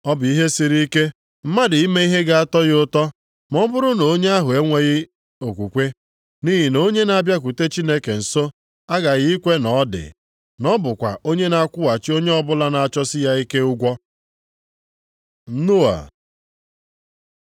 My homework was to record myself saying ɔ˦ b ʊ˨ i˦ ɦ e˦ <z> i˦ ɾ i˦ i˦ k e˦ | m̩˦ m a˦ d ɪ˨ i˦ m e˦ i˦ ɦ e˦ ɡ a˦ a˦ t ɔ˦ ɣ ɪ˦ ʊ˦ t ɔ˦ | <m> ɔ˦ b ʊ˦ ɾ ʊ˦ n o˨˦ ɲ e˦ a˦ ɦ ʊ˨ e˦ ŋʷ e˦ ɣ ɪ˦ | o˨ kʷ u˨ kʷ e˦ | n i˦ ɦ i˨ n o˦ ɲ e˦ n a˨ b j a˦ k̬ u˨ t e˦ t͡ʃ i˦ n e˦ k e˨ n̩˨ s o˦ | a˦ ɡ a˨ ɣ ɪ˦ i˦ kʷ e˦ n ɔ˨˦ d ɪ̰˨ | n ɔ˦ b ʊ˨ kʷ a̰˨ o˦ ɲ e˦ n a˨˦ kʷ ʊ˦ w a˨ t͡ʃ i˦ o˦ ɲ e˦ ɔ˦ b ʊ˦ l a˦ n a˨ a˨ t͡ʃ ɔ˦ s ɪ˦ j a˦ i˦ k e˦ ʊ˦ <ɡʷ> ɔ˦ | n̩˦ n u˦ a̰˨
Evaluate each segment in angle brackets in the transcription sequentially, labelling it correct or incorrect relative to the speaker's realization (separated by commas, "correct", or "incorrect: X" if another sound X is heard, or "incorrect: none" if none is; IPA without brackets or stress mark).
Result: incorrect: s, correct, correct